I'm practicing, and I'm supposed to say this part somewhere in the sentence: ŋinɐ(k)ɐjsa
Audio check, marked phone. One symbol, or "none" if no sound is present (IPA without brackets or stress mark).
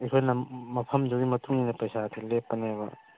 p